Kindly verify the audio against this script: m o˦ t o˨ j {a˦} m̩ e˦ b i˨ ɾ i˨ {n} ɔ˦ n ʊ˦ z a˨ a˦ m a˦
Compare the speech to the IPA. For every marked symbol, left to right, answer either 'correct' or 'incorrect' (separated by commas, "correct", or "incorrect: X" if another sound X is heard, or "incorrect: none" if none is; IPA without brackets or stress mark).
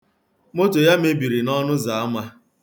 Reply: correct, correct